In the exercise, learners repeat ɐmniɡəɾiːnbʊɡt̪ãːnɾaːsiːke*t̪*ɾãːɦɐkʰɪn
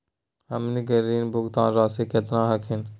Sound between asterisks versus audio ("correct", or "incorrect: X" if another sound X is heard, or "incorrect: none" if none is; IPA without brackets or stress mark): correct